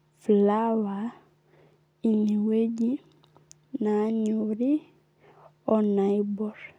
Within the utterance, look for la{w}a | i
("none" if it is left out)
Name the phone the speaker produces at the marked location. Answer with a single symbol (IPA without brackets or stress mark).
w